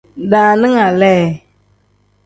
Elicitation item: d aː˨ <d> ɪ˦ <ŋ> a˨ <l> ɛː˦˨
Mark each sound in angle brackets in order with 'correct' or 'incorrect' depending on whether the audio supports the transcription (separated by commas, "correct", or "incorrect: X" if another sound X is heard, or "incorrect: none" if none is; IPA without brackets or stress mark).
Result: incorrect: n, correct, correct